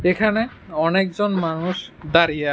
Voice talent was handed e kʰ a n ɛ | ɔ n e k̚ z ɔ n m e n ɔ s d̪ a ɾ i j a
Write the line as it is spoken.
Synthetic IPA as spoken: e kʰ a n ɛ | ɔ n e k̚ z ɔ n m a n u s d̪ a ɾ i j a